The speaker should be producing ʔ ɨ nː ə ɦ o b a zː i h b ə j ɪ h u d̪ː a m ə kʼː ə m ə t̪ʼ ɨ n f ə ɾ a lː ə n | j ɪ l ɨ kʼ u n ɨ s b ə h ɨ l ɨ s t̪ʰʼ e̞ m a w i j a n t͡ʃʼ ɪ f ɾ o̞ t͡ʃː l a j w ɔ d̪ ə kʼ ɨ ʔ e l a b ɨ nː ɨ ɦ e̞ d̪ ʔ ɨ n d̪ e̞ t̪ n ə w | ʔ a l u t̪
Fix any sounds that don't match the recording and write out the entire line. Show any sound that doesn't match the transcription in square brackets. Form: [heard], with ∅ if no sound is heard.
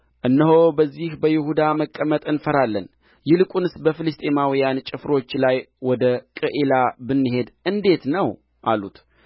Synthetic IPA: ʔ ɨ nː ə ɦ o b [ə] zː i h b ə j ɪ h u [d̪] a m ə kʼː ə m ə t̪ʼ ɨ n f ə ɾ a lː ə n | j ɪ l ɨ kʼ u n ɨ s b ə [f] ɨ l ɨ s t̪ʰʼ e̞ m a w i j a n t͡ʃʼ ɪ f ɾ o̞ t͡ʃː l a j w ɔ d̪ ə kʼ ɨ ʔ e l a b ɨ nː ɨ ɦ e̞ d̪ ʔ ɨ n d̪ e̞ t̪ n ə w | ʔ a l u t̪

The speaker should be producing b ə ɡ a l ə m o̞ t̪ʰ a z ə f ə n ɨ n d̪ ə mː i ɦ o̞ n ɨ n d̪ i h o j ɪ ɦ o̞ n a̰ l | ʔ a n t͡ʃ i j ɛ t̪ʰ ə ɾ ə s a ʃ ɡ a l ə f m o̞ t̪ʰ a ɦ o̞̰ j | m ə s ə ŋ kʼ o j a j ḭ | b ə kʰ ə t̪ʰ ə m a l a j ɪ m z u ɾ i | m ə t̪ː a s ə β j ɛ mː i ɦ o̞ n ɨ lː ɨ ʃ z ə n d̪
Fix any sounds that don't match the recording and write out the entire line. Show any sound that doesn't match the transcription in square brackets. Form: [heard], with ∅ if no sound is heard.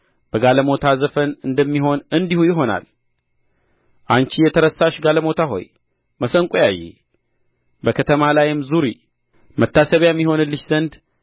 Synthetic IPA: b ə ɡ a l ə m o̞ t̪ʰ a z ə f ə n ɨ n d̪ ə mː i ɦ o̞ n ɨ n d̪ i h [u] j ɪ ɦ o̞ n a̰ l | ʔ a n t͡ʃ i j ɛ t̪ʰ ə ɾ ə s a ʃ ɡ a l ə [∅] m o̞ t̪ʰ a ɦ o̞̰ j | m ə s ə ŋ kʼ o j a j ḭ | b ə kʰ ə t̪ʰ ə m a l a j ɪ m z u ɾ i | m ə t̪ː a s ə β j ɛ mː i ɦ o̞ n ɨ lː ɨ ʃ z ə n d̪

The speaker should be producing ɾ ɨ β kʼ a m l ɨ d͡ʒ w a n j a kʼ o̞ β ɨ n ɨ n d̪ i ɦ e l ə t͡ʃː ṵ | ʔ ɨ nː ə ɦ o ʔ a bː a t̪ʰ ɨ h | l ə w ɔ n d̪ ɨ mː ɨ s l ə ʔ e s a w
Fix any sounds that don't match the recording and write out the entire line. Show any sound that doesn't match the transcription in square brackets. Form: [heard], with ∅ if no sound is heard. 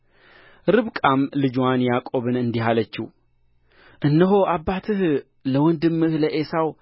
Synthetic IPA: ɾ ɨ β kʼ a m l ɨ d͡ʒ w a n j a kʼ o̞ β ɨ n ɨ n d̪ i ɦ [a] l ə t͡ʃː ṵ | ʔ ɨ nː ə ɦ o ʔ a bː a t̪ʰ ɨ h | l ə w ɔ n d̪ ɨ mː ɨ [h] l ə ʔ e s a w

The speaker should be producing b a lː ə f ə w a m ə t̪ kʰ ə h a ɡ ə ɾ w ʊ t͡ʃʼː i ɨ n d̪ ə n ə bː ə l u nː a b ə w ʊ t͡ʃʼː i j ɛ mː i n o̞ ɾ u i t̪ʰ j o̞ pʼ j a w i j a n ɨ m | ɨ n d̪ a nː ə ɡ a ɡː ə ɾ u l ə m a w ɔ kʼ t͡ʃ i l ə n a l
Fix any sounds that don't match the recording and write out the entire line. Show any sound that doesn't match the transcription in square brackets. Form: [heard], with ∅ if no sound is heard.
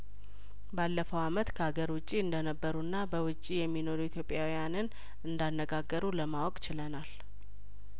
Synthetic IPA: b a lː ə f ə w a m ə t̪ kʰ ə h a ɡ ə ɾ w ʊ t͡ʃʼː i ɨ n d̪ ə n ə bː ə [ɾ] u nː a b ə w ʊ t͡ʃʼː i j ɛ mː i n o̞ ɾ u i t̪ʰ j o̞ pʼ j a w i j a n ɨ [n] | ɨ n d̪ a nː ə ɡ a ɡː ə ɾ u l ə m a w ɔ kʼ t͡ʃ [ɪ] l ə n a l

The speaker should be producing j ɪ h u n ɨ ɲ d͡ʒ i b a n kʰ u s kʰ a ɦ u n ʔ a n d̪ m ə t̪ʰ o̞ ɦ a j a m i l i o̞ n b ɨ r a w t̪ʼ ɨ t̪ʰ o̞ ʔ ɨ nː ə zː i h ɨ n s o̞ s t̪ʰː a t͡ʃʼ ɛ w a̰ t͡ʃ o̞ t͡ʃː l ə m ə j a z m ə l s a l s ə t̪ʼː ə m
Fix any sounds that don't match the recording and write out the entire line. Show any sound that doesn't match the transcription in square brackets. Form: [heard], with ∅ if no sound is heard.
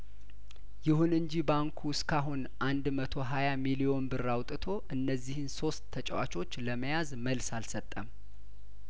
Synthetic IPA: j ɪ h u n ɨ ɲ d͡ʒ i b a [ŋ] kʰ u s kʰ a ɦ u n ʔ a n d̪ m ə t̪ʰ o̞ ɦ a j a m i l i o̞ n b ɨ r a w t̪ʼ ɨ t̪ʰ o̞ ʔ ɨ nː ə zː i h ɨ n s o̞ s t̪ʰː [ə] t͡ʃʼ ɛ w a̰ t͡ʃ o̞ t͡ʃː l ə m ə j a z m ə l s a l s ə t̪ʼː ə m

